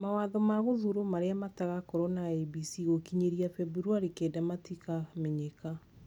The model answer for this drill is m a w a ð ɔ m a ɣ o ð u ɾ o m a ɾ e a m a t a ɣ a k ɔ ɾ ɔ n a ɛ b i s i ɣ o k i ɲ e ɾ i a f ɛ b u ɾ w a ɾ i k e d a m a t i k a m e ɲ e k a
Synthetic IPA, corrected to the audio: m a w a ð ɔ m a ɣ o ð u ɾ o m a ɾ e a m a t a ɣ a k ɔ ɾ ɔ n a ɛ b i s i ɣ o k i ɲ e ɾ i a f ɛ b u ɾ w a ɾ i k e d a m a t i k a m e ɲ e k a